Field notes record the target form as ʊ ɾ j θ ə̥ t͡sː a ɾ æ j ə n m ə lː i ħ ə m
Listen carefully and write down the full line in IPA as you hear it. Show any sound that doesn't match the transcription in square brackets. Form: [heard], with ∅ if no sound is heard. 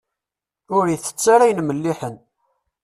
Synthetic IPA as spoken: ʊ ɾ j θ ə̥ t͡sː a ɾ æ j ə n m ə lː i ħ ə [n]